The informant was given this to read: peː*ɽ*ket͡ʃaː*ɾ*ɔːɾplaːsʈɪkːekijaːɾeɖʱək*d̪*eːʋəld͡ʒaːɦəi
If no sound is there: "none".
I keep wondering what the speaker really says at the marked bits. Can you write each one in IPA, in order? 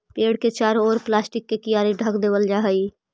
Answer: ɽ, ɾ, d̪

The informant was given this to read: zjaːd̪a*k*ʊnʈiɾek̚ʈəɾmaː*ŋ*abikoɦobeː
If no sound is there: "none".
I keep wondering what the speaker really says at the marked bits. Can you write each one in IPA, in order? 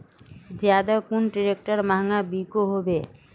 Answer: k, ŋ

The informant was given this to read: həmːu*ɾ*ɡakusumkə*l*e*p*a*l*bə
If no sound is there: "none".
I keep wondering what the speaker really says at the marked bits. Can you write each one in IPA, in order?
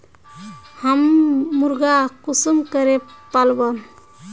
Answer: ɾ, ɾ, p, l

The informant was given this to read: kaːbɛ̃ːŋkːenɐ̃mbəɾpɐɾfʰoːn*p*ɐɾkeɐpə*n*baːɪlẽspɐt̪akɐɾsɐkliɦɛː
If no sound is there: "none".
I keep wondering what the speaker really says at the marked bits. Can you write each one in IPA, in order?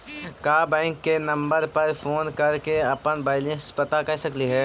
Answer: k, n

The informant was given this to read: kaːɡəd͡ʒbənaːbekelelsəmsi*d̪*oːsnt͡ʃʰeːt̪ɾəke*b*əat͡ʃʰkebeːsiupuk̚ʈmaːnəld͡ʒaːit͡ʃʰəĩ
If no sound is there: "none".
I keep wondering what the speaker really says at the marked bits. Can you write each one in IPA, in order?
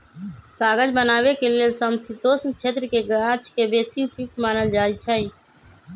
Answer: t̪, ɡ

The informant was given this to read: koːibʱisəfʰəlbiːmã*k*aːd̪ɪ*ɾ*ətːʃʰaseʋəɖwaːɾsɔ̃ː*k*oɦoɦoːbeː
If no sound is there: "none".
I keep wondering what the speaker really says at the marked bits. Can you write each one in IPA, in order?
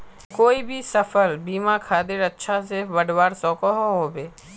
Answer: kʰ, ɾ, k

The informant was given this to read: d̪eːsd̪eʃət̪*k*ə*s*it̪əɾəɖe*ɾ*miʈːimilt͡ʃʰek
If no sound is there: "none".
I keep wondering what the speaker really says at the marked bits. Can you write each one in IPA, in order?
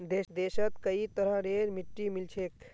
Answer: k, none, ɾ

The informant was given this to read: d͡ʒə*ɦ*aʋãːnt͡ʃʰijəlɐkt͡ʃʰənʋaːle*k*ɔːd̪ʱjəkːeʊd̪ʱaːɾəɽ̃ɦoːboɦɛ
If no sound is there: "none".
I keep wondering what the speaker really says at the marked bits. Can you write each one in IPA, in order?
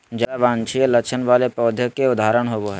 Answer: none, p

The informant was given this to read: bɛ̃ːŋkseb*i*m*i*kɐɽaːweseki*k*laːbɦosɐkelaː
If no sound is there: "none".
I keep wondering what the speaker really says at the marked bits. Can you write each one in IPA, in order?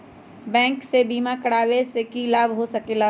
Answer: iː, a, none

